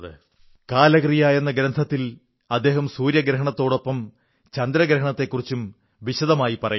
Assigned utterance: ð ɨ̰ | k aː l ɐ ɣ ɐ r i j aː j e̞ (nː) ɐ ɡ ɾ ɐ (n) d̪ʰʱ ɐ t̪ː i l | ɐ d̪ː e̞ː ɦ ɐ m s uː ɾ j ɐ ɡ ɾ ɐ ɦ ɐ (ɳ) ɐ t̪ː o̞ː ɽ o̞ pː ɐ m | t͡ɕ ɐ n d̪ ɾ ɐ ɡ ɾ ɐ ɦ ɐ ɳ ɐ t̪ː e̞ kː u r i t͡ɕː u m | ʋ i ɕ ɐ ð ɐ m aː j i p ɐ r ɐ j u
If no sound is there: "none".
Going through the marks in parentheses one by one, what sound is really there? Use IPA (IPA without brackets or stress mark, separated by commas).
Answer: nː, n, ɳ